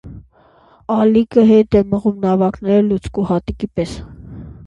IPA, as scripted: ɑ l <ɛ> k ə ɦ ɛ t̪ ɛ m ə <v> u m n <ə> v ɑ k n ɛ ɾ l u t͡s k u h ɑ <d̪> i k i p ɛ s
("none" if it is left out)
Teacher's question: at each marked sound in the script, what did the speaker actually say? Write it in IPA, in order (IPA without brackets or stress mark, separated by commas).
i, ʁ, ɑ, t̪